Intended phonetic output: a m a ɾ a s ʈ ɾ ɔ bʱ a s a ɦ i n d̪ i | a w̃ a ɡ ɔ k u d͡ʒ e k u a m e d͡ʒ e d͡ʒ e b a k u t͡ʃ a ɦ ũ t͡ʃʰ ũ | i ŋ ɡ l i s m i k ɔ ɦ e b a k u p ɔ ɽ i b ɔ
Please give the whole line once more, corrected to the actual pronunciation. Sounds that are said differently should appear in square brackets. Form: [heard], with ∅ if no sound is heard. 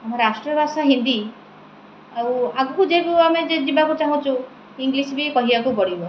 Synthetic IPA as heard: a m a ɾ a s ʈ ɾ ɔ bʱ a s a ɦ i n d̪ i | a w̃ a ɡ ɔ k u d͡ʒ e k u a m e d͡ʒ e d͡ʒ [i] b a k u t͡ʃ a ɦ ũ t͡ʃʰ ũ | i ŋ ɡ l i s [b] i k ɔ ɦ [i] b a k u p ɔ ɽ i b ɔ

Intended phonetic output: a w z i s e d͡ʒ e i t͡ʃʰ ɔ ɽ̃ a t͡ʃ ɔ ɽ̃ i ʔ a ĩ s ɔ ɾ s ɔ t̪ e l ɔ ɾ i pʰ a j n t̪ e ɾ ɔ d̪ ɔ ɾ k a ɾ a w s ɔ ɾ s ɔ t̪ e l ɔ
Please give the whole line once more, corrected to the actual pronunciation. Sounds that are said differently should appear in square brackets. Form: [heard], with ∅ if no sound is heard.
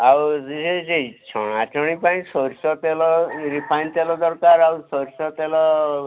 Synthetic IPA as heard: a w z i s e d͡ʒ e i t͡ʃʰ ɔ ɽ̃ a t͡ʃ ɔ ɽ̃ i [p] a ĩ s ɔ ɾ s ɔ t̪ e l ɔ ɾ i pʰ a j n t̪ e [l] ɔ d̪ ɔ ɾ k a ɾ a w s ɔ ɾ s ɔ t̪ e l ɔ

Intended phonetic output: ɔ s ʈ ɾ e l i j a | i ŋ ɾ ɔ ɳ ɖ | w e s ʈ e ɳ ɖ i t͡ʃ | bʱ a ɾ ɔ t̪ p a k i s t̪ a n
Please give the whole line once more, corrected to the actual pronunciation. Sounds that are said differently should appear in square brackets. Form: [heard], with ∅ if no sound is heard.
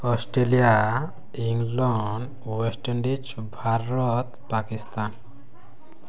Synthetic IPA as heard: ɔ s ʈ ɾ e l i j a | i ŋ [l] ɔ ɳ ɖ | w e s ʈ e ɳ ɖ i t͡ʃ | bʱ a ɾ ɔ t̪ p a k i s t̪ a n

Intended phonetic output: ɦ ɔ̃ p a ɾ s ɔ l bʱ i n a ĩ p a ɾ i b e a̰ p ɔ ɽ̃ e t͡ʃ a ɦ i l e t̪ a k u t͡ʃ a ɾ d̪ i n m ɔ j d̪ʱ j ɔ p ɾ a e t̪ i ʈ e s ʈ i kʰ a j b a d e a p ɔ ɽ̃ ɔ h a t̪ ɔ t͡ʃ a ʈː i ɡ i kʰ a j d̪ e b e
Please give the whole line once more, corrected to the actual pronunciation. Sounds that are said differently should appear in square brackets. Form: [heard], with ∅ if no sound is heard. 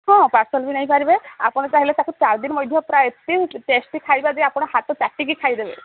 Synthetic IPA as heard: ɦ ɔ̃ p a ɾ s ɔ l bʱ i n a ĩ p a ɾ i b e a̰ p ɔ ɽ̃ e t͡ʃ a ɦ i l e t̪ a k u t͡ʃ a ɾ d̪ i n m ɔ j d̪ʱ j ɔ p ɾ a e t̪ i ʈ e s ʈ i kʰ a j b a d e a p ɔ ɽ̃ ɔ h a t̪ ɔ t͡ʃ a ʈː i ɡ i kʰ a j d̪ e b e

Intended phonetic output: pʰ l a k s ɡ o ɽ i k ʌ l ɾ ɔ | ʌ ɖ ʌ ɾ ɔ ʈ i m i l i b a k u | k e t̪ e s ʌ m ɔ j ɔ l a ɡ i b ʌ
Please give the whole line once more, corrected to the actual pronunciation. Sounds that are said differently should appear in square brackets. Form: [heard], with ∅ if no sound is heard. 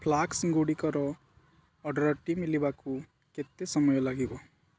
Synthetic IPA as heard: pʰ l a k s ɡ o ɽ i k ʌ [∅] ɾ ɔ | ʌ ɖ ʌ ɾ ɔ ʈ i m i l i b a k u | k e t̪ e s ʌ m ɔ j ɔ l a ɡ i b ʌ

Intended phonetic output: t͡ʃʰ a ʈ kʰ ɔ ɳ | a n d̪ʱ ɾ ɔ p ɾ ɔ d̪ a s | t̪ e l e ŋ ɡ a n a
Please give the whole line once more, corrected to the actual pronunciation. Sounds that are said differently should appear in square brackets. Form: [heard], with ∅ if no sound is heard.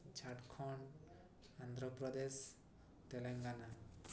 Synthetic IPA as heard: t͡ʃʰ a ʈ kʰ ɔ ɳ | a n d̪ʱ ɾ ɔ p ɾ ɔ d̪ [e] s | t̪ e l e ŋ ɡ a n a

